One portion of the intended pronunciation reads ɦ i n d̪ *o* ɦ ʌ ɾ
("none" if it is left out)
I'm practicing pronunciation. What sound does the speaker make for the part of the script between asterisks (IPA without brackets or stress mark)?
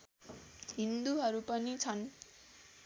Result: u